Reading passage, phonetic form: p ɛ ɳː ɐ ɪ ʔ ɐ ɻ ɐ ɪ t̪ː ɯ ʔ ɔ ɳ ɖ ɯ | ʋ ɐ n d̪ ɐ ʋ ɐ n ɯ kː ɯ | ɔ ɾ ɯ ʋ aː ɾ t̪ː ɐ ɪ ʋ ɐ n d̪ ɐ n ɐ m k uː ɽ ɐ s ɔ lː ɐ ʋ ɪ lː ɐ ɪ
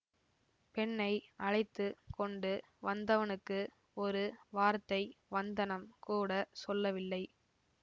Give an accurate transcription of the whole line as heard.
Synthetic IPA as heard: p ɛ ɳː ɐ ɪ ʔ ɐ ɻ ɐ ɪ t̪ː ɯ k ɔ ɳ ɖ ɯ | ʋ ɐ n d̪ ɐ ʋ ɐ n ɯ kː ɯ | ɔ ɾ ɯ ʋ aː ɾ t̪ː ɐ ɪ ʋ ɐ n d̪ ɐ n ɐ m k uː ɽ ɐ s ɔ lː ɐ ʋ ɪ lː ɐ ɪ